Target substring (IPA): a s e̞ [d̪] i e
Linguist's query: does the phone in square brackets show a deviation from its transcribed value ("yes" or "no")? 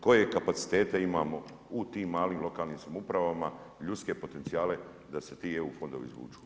yes